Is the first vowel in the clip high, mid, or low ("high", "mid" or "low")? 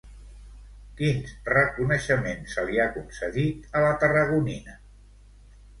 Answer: high